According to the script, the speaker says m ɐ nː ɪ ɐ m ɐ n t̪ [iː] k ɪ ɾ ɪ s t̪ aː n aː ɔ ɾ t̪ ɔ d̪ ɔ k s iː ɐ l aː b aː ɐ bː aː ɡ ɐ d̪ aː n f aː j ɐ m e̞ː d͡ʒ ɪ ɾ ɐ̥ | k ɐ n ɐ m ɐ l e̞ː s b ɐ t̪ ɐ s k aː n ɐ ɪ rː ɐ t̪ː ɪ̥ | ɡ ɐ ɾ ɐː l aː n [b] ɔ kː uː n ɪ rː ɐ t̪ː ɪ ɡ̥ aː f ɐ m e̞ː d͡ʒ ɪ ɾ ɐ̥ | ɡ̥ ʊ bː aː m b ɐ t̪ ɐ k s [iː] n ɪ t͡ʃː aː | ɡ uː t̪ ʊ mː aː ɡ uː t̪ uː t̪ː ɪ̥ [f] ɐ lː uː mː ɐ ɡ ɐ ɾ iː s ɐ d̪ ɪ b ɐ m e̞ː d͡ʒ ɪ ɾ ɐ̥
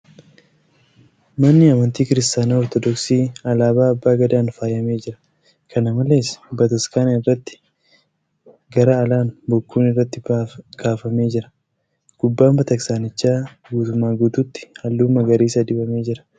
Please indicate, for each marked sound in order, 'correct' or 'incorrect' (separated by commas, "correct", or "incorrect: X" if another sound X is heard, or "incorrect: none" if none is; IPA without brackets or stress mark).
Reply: correct, correct, incorrect: aː, incorrect: h